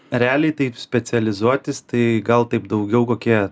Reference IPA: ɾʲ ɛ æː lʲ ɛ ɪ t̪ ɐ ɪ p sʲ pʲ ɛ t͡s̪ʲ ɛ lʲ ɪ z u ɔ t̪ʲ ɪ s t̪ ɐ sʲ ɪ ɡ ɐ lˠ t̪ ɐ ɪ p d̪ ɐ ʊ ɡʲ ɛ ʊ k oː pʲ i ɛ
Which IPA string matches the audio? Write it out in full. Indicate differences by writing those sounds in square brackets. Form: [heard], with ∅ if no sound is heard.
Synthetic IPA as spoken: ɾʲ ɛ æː lʲ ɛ ɪ t̪ ɐ ɪ p sʲ pʲ ɛ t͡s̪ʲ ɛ lʲ ɪ z u ɔ t̪ʲ ɪ s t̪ ɐ [∅] ɪ ɡ ɐ lˠ t̪ ɐ ɪ p d̪ ɐ ʊ ɡʲ ɛ ʊ k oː [kʲ] i ɛ